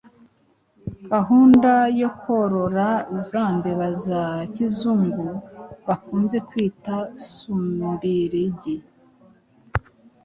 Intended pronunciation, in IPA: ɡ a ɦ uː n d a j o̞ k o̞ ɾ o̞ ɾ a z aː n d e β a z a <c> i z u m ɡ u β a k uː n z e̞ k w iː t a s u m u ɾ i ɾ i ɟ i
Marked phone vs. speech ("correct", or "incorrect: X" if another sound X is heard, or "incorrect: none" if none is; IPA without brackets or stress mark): correct